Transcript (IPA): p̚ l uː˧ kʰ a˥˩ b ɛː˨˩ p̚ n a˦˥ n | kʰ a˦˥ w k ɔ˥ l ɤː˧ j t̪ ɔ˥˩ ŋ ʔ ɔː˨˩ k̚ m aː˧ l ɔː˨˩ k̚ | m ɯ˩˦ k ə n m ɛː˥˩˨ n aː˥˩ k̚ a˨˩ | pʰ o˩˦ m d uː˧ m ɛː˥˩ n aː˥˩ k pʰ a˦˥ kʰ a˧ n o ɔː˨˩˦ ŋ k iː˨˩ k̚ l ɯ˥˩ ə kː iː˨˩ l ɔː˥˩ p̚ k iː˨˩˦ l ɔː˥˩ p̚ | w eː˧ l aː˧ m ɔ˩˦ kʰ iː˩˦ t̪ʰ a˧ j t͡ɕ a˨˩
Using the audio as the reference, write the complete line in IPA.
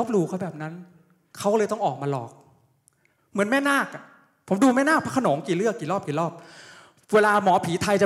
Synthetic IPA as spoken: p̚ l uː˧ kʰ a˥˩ b ɛː˨˩ p̚ n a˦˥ n | kʰ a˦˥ w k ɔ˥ l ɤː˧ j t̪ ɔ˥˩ ŋ ʔ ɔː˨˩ k̚ m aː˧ l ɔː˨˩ k̚ | m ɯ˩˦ ə n m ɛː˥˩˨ n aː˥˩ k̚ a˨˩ | pʰ o˩˦ m d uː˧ m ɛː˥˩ n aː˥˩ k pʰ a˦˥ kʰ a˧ n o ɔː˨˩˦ ŋ k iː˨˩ l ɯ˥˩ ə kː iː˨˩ l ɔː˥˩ p̚ k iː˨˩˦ l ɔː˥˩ p̚ | w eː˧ l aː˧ m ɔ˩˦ pʰ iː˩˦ t̪ʰ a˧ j t͡ɕ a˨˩